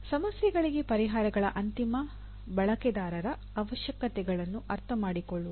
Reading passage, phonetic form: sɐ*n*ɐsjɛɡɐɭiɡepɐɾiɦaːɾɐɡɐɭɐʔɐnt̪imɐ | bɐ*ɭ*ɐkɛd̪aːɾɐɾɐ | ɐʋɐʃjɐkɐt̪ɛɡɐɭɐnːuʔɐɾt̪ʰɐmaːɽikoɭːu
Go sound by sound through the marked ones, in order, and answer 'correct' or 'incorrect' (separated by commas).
incorrect, correct